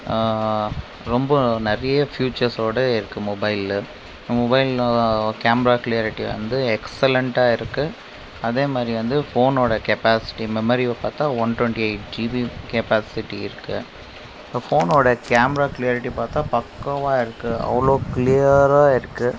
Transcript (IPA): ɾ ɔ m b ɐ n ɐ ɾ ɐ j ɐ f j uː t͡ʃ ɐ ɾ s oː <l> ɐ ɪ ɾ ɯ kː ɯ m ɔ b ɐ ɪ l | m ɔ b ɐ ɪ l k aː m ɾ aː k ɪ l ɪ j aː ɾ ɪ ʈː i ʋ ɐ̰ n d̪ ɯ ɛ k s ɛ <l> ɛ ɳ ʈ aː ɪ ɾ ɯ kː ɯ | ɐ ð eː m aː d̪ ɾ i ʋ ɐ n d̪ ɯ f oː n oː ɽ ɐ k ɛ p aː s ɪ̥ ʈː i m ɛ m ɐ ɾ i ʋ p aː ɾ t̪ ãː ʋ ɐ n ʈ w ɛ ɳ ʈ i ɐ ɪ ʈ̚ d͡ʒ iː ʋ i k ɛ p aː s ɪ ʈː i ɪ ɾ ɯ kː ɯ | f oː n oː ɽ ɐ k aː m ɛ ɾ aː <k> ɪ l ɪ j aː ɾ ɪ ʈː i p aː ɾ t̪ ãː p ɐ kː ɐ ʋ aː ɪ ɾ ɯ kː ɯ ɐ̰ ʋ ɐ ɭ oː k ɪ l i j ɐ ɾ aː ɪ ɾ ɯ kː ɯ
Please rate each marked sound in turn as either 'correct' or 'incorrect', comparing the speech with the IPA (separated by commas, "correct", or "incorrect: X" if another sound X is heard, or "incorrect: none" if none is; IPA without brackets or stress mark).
incorrect: ɽ, correct, correct